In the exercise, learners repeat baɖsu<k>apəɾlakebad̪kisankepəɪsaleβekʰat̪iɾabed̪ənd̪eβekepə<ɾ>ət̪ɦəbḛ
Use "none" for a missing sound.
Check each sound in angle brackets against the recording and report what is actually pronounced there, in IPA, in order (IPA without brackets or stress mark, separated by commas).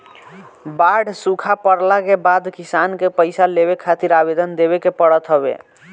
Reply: kʰ, ɽ